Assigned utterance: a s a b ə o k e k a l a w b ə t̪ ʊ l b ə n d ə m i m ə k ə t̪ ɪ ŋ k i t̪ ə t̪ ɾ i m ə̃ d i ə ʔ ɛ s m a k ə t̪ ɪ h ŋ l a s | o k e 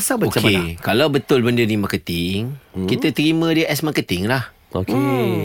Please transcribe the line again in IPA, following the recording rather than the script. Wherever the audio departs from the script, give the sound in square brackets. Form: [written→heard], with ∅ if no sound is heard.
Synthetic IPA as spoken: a s a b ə o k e k a l a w b ə t̪ ʊ l b ə n d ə [m→n] i m [ə→a] k ə t̪ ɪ ŋ k i t̪ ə t̪ ɾ i m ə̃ d i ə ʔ ɛ s m a k ə t̪ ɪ [h→∅] ŋ l a [s→h] | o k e